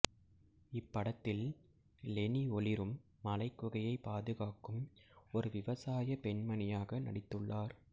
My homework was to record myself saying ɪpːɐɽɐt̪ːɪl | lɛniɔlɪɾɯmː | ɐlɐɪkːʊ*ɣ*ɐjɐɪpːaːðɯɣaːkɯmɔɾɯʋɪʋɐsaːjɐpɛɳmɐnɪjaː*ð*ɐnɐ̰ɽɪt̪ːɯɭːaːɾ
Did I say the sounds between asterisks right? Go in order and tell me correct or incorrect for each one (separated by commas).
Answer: correct, incorrect